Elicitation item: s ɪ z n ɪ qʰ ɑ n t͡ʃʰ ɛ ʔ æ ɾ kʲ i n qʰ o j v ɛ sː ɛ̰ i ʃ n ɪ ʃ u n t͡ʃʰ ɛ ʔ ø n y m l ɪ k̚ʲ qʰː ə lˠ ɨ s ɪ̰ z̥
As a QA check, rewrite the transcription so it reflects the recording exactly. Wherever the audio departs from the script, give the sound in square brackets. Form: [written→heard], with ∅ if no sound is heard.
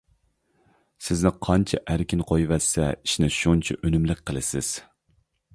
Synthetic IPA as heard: s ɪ z n ɪ qʰ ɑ n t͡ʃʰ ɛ ʔ æ ɾ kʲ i n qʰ o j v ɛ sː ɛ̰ i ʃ n ɪ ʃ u n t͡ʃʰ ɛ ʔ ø n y m l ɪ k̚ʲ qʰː ə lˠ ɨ s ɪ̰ z̥